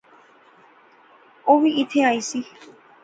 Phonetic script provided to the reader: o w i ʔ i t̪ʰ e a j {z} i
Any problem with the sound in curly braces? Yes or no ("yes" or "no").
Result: yes